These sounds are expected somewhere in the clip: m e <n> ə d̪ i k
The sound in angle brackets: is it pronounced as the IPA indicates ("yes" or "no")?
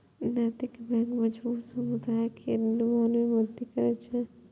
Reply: no